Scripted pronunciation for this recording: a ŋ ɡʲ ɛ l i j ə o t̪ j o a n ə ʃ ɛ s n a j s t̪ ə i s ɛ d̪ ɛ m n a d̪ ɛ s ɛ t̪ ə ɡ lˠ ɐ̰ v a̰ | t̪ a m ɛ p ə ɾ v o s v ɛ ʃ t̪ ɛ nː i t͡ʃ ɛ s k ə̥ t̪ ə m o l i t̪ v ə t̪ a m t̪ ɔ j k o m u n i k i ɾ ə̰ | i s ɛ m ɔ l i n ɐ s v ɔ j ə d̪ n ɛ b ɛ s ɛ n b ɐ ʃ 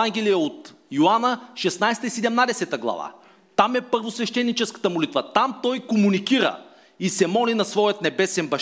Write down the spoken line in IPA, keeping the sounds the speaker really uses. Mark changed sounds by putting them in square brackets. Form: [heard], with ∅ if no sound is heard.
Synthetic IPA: a ŋ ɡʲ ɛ l i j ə o t̪ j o a n ə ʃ ɛ s n a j s t̪ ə i s ɛ d̪ ɛ m n a d̪ ɛ s ɛ t̪ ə ɡ lˠ ɐ̰ v a̰ | t̪ a m ɛ p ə ɾ v o s v ɛ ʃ t̪ ɛ nː i t͡ʃ ɛ s k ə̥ t̪ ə m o l i t̪ v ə t̪ a m t̪ ɔ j k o m u n i k i ɾ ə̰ | i s ɛ m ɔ l i n ɐ s v ɔ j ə [t̪] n ɛ b ɛ s ɛ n b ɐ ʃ